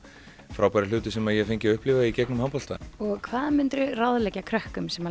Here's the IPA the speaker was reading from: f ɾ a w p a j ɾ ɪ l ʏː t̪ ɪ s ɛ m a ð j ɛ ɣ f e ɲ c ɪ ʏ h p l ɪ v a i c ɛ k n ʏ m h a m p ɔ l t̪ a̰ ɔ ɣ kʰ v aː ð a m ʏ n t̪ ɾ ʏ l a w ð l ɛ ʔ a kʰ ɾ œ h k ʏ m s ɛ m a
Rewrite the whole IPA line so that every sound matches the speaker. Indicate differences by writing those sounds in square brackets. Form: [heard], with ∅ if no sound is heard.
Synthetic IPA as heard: f ɾ a w p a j ɾ ɪ l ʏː t̪ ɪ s ɛ m a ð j ɛ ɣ f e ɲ c ɪ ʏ h p l ɪ v a i c ɛ k n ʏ m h a m p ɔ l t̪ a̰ ɔ ɣ kʰ v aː ð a m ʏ n t̪ ɾ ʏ [r] a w ð l ɛ [c] a kʰ ɾ œ h k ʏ m s ɛ m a